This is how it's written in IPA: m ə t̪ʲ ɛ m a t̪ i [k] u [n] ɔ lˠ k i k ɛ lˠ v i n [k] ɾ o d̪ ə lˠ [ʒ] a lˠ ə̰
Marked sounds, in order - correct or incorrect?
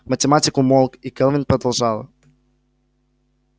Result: correct, incorrect, incorrect, correct

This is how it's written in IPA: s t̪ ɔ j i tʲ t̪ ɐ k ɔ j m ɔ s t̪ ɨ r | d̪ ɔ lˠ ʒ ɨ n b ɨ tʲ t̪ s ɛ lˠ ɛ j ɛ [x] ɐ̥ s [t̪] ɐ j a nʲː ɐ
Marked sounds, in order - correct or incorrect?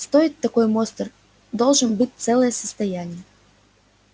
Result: incorrect, correct

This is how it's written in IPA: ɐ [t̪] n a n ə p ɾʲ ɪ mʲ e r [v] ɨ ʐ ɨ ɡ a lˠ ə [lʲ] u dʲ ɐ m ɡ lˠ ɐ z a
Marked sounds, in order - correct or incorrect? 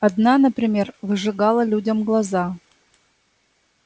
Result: incorrect, correct, correct

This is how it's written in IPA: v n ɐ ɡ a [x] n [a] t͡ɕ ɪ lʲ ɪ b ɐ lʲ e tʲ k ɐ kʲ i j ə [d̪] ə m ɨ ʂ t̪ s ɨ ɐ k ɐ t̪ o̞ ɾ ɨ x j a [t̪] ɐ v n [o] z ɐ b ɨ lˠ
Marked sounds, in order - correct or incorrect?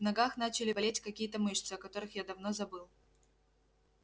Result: correct, correct, incorrect, incorrect, correct

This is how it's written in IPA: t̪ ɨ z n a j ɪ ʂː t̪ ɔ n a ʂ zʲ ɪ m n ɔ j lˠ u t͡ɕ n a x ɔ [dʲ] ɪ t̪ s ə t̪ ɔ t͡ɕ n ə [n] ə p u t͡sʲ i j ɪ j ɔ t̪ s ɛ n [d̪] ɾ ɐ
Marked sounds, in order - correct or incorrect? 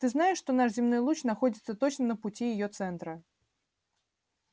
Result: correct, correct, incorrect

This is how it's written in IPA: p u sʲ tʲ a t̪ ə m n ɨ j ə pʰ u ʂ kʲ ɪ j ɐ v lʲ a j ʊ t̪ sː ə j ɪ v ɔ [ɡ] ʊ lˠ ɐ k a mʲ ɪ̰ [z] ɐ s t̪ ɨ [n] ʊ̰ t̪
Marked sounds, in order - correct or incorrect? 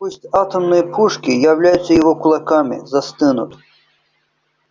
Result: incorrect, correct, correct

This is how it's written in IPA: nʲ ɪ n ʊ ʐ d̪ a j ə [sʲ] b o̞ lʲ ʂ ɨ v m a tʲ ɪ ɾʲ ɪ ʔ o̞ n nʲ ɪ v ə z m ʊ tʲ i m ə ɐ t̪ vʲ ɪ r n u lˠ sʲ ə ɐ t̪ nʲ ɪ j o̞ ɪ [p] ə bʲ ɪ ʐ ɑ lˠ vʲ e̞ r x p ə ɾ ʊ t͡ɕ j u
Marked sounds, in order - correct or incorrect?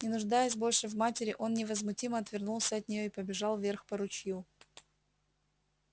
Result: correct, correct

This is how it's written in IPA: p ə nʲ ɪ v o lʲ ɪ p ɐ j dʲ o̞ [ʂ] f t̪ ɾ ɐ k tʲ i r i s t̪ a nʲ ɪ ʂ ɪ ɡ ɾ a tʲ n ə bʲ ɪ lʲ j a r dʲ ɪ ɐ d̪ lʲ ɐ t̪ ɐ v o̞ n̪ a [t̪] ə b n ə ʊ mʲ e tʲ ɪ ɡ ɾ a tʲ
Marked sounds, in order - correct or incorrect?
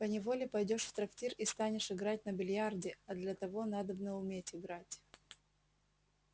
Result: correct, incorrect

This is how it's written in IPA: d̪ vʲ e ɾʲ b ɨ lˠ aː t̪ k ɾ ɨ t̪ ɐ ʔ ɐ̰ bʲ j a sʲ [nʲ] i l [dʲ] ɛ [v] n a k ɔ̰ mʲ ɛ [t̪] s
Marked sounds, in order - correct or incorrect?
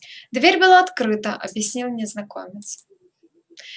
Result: correct, incorrect, incorrect, correct

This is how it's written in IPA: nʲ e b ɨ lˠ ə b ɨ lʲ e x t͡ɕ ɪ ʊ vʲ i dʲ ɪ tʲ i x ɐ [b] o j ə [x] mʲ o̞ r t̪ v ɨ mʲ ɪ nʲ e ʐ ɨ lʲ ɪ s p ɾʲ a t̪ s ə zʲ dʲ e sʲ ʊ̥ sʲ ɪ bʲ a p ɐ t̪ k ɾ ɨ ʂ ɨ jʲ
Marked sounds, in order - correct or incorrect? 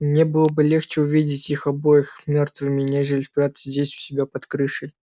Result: correct, correct

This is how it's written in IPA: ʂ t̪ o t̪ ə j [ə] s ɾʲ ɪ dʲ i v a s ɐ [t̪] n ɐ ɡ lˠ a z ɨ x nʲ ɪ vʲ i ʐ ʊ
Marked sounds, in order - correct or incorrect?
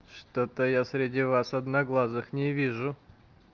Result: incorrect, incorrect

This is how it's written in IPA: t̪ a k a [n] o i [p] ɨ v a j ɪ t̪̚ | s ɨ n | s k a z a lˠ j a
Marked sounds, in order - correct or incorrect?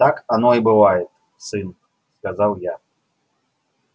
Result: correct, incorrect

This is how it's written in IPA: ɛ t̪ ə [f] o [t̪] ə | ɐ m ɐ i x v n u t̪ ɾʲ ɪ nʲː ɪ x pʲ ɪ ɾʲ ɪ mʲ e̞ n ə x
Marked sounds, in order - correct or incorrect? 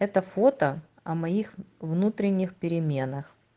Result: correct, correct

